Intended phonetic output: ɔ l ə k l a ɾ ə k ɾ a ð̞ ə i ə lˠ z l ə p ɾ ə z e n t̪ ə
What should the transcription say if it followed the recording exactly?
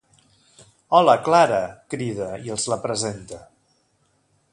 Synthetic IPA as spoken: ɔ l ə k l a ɾ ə k ɾ i ð̞ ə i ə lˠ z l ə p ɾ ə z e n t̪ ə